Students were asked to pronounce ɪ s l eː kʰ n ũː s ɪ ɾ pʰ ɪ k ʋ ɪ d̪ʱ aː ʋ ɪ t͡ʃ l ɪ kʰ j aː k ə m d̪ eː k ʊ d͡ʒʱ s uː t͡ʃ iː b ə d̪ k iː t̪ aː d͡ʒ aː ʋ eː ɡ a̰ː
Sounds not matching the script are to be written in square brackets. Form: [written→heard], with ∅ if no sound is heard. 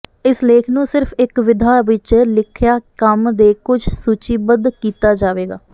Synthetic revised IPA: ɪ s l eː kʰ n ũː s ɪ ɾ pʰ ɪ k ʋ ɪ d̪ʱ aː ʋ ɪ t͡ʃ l ɪ kʰ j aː k ə m d̪ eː k ʊ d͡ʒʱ s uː t͡ʃ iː b ə d̪ k iː t̪ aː d͡ʒ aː ʋ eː ɡ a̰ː